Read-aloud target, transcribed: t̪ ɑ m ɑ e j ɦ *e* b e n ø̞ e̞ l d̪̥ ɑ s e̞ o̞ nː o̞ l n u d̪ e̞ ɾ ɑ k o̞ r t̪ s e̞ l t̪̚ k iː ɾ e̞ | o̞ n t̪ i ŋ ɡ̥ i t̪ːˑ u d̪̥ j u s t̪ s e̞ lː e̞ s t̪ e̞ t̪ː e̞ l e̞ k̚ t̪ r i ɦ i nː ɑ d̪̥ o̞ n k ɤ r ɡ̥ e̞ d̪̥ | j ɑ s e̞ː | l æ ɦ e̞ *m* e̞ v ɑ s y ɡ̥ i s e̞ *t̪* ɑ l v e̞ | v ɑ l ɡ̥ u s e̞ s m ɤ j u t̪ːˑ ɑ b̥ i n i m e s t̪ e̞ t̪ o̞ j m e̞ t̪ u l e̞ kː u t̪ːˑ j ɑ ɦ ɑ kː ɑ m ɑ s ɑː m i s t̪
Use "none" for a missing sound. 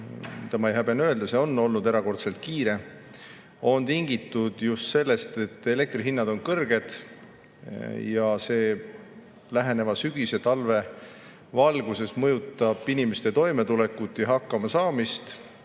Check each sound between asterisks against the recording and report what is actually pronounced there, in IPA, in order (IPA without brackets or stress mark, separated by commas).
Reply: æ, n, t̪